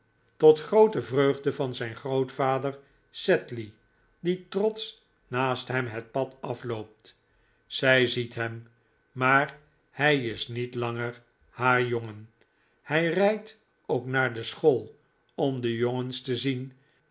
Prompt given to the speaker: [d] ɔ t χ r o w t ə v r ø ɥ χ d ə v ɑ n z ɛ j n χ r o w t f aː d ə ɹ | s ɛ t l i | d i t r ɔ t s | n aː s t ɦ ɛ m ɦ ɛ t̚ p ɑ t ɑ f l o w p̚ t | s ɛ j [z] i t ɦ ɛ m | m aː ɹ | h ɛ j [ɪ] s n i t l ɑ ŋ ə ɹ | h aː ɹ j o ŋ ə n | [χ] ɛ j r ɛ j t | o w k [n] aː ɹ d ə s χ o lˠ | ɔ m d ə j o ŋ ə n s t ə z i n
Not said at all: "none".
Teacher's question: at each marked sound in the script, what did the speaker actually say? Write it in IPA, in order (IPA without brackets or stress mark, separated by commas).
t, z, ɪ, h, n